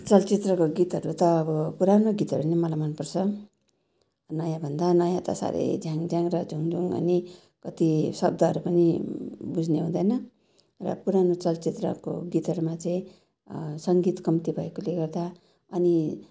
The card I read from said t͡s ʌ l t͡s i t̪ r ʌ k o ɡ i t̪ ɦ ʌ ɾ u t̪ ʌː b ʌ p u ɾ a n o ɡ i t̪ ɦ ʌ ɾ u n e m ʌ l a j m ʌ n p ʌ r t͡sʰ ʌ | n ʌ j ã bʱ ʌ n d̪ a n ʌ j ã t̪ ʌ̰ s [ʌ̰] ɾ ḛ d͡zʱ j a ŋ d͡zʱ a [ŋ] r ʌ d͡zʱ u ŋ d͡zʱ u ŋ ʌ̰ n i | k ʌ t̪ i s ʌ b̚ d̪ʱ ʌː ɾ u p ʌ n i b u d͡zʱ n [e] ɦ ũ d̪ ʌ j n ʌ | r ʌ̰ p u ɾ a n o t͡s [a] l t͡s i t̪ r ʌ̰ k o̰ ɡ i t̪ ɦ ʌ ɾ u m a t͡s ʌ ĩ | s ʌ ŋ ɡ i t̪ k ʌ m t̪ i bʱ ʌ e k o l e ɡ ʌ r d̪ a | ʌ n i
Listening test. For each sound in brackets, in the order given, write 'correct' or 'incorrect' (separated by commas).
incorrect, correct, correct, incorrect